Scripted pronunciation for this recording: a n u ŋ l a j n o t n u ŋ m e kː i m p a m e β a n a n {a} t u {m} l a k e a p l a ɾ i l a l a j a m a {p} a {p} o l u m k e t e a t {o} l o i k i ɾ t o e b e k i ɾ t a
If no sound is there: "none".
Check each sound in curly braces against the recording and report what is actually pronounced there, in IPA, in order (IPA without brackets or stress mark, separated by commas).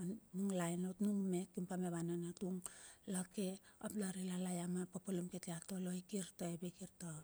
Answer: a, ŋ, p, p, o